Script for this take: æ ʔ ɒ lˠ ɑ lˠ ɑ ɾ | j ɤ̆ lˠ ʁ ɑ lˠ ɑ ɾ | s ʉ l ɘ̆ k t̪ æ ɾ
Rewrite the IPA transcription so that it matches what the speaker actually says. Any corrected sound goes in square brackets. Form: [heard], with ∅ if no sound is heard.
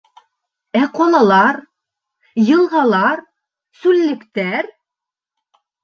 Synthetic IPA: æ [q] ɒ lˠ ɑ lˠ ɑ ɾ | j ɤ̆ lˠ ʁ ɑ lˠ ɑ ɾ | s ʉ [lː] ɘ̆ k t̪ æ ɾ